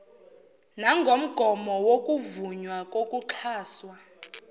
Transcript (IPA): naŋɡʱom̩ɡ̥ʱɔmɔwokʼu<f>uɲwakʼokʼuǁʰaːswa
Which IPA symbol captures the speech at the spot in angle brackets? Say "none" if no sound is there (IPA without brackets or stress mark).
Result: v